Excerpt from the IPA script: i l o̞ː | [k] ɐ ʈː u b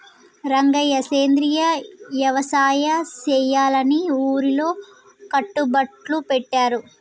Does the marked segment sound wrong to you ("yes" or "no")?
no